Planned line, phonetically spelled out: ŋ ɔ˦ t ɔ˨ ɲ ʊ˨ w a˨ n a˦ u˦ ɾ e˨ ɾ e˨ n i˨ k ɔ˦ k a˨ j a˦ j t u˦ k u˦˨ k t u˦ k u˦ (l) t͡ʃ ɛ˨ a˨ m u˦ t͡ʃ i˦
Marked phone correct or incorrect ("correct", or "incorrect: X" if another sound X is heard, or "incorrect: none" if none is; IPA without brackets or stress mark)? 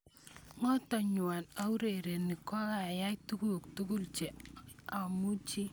correct